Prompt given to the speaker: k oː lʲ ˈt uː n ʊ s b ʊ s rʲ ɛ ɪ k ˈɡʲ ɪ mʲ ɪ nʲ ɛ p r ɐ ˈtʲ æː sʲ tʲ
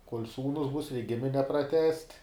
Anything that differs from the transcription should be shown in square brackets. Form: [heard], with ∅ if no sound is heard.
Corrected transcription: k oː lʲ [ˈs] uː n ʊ s b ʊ s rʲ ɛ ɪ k ˈɡʲ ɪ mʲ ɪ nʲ ɛ p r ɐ ˈtʲ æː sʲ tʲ